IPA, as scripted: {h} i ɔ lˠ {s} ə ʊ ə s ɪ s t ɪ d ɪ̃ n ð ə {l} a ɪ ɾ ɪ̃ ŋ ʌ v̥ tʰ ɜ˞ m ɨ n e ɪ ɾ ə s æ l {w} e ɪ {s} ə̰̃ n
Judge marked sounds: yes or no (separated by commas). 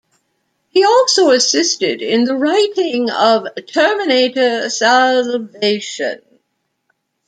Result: yes, yes, no, no, no